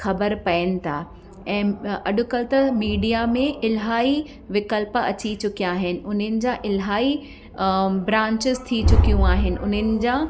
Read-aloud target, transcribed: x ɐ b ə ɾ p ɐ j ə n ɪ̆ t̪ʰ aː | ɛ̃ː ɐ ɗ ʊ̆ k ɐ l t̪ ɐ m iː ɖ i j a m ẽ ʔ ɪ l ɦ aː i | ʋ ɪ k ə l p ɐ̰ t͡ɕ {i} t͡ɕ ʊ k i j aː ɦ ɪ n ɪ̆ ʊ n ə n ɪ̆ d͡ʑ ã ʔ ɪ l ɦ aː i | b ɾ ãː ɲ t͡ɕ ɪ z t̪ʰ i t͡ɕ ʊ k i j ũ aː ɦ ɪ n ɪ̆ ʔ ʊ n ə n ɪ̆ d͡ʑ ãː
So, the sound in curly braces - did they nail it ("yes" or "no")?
yes